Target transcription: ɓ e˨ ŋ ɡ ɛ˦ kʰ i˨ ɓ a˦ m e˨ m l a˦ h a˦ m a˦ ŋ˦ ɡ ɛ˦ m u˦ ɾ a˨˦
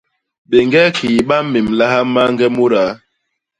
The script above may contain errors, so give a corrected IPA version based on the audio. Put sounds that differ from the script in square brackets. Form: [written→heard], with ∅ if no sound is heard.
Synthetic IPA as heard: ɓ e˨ ŋ ɡ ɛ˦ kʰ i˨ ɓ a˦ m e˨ m l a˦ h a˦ m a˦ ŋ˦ ɡ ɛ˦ m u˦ ɾ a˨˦